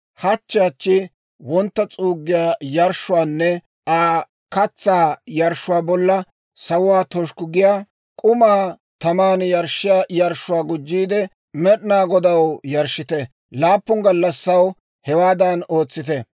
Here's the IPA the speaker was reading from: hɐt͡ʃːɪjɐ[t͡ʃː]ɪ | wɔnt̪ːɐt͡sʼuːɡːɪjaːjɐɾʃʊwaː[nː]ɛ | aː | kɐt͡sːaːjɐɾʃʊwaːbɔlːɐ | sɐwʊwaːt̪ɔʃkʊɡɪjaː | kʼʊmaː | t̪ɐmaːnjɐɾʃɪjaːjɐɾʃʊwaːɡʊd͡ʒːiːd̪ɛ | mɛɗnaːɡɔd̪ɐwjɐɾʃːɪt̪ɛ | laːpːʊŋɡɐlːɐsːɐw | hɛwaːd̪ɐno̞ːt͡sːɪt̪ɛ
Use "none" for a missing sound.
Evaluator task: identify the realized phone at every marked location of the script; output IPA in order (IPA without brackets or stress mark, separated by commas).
t͡ʃː, nː